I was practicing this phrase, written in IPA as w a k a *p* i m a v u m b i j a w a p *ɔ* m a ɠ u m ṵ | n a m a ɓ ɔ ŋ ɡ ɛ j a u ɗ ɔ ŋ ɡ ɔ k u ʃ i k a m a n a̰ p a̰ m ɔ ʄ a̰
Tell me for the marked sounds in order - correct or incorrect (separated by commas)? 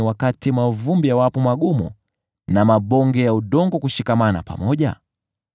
incorrect, correct